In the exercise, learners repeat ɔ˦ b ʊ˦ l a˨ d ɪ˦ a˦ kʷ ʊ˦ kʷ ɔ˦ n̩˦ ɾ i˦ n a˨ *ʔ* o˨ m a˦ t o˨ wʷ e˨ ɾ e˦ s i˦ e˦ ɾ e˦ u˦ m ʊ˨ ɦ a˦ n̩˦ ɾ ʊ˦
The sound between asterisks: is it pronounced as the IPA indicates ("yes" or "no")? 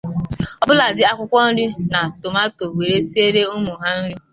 no